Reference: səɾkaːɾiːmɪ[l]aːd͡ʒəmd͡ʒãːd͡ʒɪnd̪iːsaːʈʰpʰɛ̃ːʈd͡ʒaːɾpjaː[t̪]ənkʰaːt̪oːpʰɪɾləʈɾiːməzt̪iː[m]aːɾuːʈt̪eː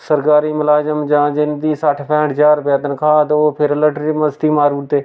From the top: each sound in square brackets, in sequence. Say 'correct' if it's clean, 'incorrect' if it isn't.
correct, correct, correct

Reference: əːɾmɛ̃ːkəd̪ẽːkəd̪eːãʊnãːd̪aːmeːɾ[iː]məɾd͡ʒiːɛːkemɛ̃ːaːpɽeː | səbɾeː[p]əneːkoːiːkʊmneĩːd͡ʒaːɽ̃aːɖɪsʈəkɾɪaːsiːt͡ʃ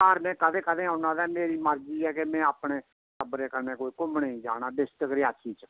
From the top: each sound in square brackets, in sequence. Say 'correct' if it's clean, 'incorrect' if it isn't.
correct, incorrect: k

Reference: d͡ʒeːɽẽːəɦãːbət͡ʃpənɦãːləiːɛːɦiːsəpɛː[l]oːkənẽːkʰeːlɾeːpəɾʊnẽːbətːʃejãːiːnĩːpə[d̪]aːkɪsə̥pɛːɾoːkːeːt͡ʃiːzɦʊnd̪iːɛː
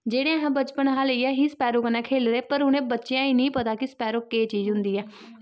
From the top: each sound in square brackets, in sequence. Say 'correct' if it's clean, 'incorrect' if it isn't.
incorrect: ɾ, incorrect: t̪

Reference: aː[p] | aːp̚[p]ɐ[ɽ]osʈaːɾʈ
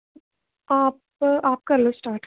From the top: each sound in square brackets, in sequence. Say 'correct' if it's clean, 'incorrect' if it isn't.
correct, incorrect: k, incorrect: l

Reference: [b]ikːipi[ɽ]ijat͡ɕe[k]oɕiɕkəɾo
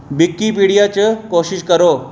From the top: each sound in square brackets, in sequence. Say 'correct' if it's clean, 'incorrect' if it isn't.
correct, correct, correct

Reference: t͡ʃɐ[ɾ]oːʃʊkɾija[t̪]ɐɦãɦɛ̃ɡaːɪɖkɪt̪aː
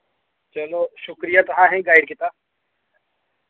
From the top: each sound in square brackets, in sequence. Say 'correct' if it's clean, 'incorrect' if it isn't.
incorrect: l, correct

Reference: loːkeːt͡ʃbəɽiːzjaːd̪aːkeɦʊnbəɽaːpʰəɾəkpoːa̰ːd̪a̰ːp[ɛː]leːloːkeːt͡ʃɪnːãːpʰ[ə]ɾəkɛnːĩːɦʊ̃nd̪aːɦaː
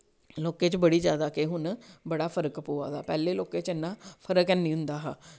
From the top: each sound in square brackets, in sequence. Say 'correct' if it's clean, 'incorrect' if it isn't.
correct, correct

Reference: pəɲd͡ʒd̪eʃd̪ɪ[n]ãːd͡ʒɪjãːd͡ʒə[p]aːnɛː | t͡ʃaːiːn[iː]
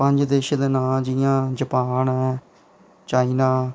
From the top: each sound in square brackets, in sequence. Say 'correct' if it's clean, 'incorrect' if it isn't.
correct, correct, incorrect: aː

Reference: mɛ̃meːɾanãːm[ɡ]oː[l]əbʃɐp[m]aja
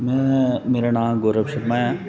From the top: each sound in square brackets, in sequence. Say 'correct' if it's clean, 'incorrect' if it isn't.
correct, incorrect: ɾ, correct

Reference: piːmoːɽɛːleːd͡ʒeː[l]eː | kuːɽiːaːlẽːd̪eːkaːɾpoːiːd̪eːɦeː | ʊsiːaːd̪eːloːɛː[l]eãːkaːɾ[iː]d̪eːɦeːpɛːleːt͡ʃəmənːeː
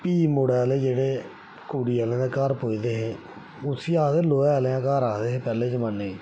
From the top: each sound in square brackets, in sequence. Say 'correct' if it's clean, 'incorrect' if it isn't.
incorrect: ɽ, correct, incorrect: aː

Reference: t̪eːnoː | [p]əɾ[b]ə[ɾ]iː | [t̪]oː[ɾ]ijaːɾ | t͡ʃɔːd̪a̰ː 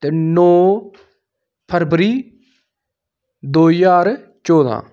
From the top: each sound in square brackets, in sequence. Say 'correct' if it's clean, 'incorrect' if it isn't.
incorrect: pʰ, correct, correct, incorrect: d̪, incorrect: none

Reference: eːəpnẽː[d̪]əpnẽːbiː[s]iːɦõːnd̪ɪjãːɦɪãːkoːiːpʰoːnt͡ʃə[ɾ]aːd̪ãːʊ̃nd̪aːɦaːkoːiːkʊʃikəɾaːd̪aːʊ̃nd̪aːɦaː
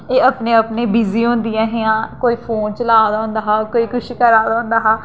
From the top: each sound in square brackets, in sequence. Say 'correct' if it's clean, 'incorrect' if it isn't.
incorrect: none, incorrect: z, incorrect: l

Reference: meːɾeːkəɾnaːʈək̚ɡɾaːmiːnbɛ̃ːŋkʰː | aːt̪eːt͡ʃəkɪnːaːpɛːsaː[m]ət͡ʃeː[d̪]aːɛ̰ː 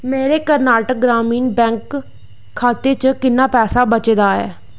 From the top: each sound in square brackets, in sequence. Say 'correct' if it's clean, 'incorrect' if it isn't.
incorrect: b, correct

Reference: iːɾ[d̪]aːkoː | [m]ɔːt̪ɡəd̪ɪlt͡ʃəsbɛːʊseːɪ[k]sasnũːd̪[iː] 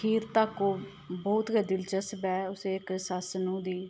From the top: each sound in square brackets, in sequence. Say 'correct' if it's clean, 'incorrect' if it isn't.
incorrect: t̪, incorrect: b, correct, correct

